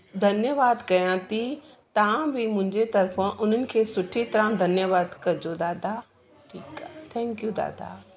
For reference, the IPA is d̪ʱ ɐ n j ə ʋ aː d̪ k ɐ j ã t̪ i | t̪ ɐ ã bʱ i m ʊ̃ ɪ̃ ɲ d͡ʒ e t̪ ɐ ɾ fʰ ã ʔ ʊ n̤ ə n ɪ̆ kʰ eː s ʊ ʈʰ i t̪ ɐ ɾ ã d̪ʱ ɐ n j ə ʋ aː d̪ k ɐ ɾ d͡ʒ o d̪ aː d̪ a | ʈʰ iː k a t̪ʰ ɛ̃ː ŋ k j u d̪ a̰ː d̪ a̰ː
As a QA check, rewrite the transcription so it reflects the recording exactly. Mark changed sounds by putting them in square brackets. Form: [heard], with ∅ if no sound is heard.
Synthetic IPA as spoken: d̪ʱ ɐ n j ə ʋ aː d̪ k ɐ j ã t̪ i | t̪ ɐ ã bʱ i m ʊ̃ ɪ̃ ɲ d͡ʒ e t̪ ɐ ɾ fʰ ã ʔ ʊ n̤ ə n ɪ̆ kʰ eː s ʊ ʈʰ i t̪ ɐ ɾ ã d̪ʱ ɐ n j ə ʋ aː d̪ k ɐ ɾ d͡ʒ o d̪ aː d̪ a | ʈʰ iː k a t̪ʰ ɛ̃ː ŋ k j u d̪ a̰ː d̪ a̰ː